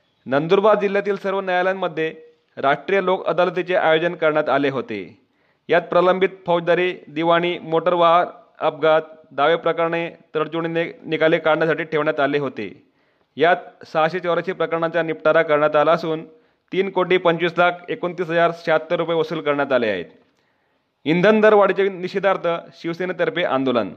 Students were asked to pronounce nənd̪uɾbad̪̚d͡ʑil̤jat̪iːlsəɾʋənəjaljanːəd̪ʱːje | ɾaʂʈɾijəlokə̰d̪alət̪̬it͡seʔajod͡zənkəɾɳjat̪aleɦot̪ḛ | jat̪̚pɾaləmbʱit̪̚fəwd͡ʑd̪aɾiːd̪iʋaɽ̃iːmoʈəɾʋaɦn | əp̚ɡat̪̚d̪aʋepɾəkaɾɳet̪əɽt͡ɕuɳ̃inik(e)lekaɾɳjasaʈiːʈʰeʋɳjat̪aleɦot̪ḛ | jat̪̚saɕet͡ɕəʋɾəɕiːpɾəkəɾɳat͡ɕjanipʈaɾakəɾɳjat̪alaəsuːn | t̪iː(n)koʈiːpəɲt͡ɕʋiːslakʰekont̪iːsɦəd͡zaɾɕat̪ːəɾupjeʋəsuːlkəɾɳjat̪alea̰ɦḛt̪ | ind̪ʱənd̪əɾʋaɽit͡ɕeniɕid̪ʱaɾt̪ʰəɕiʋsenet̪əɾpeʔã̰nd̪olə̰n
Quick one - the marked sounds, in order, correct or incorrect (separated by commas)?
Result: incorrect, correct